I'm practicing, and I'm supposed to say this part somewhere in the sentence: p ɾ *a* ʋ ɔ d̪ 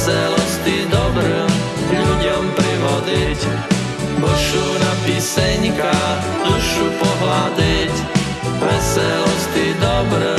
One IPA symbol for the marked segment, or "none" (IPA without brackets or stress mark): i